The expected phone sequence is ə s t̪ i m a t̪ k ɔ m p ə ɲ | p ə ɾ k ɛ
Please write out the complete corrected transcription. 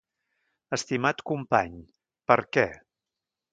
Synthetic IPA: ə s t̪ i m a t̪ k u m p a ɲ | p ə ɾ k ɛ